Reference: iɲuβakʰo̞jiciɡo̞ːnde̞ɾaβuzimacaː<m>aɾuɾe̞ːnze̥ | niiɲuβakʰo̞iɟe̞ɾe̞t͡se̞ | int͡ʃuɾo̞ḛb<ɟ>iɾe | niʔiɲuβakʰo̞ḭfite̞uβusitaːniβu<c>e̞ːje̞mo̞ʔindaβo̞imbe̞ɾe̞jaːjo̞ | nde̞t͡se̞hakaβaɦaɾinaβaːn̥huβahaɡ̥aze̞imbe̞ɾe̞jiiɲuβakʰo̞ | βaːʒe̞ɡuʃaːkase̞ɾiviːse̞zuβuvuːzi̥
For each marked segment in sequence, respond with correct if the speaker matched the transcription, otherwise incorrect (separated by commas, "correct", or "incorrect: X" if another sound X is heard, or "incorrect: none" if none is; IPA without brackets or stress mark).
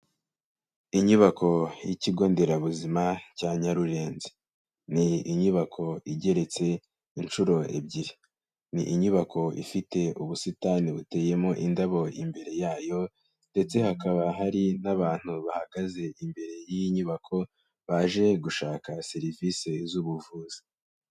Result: incorrect: ɲ, correct, incorrect: t